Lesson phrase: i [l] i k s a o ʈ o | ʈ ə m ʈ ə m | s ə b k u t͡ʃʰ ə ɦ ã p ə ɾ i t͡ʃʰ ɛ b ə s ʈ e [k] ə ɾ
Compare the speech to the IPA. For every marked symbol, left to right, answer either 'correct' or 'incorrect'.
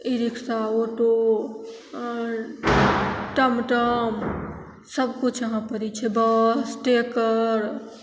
incorrect: ɾ, correct

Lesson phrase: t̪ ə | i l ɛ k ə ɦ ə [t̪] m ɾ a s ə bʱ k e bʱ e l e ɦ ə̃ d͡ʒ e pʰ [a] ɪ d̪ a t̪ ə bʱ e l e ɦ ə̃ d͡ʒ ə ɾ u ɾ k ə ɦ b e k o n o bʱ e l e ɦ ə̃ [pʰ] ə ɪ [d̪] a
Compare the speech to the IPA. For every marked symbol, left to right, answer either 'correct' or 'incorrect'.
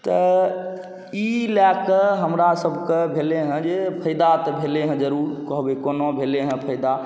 incorrect: none, incorrect: ə, correct, correct

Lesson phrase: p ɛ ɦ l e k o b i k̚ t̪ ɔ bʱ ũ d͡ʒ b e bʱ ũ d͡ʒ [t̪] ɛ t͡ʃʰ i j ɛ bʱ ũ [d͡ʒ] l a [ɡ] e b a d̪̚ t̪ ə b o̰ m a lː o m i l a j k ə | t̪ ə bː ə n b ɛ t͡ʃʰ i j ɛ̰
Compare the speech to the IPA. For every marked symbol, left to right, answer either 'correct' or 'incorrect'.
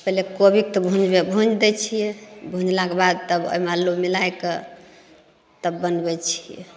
incorrect: d̪, correct, incorrect: k

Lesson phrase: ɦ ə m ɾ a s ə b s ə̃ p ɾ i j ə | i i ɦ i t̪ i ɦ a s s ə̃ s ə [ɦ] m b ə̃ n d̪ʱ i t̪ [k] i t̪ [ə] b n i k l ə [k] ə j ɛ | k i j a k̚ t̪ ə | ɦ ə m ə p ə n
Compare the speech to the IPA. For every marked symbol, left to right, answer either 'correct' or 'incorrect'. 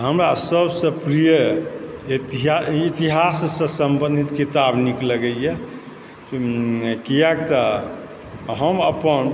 incorrect: none, correct, incorrect: a, incorrect: ɡ

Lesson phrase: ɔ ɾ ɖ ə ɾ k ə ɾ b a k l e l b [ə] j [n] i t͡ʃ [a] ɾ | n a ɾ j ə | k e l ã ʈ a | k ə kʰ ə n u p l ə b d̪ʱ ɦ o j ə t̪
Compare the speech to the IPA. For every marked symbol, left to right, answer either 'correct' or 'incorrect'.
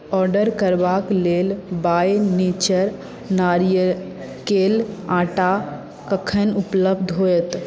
incorrect: a, correct, incorrect: ə

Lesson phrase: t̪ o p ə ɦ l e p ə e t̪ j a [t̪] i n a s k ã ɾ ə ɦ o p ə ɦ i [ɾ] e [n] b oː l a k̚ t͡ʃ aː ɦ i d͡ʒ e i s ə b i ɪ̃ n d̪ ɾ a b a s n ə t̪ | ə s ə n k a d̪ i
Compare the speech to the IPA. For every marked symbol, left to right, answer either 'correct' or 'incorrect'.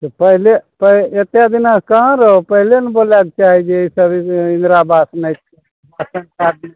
incorrect: d̪, incorrect: l, correct

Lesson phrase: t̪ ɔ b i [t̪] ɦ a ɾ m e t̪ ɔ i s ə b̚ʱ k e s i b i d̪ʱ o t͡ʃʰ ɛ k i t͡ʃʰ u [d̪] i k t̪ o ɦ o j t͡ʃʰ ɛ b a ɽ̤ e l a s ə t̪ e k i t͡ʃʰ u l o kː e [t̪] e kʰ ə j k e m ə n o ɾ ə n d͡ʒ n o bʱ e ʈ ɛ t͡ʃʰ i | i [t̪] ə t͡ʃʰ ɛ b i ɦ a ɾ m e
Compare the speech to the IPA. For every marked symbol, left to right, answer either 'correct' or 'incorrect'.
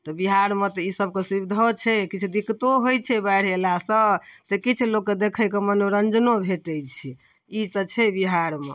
incorrect: none, correct, incorrect: d̪, correct

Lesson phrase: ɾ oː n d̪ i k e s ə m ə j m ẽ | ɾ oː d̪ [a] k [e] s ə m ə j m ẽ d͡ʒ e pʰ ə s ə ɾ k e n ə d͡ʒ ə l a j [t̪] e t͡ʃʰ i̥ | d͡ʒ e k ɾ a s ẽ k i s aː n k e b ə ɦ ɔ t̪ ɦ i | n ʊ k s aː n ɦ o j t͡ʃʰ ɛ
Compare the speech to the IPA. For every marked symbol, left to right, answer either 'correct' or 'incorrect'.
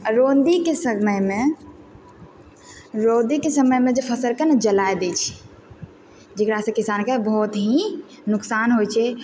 incorrect: i, correct, incorrect: d̪

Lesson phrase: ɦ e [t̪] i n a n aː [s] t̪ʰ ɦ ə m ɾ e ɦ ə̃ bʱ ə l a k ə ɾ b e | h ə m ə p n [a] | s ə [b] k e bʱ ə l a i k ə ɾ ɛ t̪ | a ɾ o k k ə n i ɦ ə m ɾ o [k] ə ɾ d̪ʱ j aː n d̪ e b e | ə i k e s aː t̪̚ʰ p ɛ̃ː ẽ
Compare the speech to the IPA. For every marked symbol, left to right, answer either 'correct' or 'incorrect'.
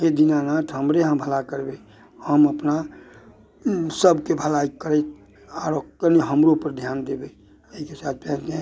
incorrect: d̪, incorrect: none, correct, correct, incorrect: p

